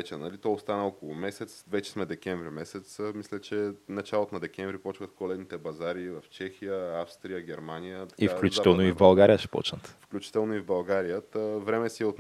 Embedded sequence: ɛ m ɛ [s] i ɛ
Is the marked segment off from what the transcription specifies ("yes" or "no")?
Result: no